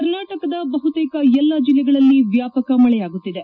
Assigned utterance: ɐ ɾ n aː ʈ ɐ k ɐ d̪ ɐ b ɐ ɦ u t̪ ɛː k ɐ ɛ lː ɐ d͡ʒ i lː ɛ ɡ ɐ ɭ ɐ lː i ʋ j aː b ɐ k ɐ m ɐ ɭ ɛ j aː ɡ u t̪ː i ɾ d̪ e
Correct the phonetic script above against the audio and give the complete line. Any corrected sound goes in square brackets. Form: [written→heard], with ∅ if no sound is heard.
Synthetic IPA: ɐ ɾ n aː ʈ ɐ k ɐ d̪ ɐ b ɐ ɦ u t̪ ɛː k ɐ ɛ lː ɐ d͡ʒ i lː ɛ ɡ ɐ ɭ ɐ lː i ʋ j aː [b→p] ɐ k ɐ m ɐ ɭ ɛ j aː ɡ u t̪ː i [ɾ→∅] d̪ e